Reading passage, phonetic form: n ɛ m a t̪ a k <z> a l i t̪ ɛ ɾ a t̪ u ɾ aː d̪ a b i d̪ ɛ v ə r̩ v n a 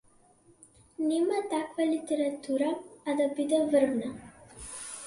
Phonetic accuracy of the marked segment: incorrect: v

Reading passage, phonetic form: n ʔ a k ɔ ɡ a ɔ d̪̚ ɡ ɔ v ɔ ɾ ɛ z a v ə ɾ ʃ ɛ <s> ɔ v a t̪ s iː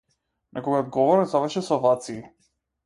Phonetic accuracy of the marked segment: correct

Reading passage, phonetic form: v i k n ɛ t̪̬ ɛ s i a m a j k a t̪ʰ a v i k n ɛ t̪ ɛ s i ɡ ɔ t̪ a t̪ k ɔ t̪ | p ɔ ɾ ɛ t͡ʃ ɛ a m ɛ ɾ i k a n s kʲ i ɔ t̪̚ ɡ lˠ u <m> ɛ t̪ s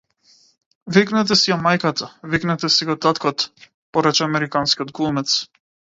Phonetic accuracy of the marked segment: correct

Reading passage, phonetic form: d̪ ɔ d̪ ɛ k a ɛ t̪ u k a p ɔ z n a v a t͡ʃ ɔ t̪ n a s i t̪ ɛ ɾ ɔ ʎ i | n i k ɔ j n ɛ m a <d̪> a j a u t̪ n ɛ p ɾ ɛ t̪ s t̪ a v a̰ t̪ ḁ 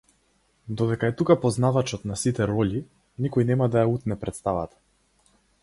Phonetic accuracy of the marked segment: correct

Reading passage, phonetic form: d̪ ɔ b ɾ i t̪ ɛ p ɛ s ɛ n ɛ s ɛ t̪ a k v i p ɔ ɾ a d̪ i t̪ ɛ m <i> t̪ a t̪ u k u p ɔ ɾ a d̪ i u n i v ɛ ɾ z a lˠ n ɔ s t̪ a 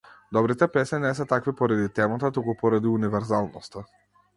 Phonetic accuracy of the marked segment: incorrect: a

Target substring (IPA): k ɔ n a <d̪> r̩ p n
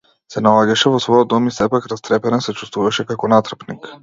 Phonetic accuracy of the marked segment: incorrect: t̪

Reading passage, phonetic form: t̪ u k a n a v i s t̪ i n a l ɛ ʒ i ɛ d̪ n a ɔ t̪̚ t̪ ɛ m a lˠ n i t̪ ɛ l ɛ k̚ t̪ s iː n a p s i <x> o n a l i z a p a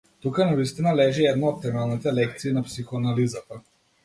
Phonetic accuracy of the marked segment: correct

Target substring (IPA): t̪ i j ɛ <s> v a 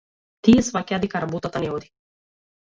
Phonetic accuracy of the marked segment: correct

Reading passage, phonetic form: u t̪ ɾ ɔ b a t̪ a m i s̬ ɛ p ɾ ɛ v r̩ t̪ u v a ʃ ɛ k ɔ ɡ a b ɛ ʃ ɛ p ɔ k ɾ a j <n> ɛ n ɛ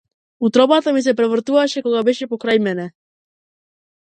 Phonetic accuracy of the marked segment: incorrect: m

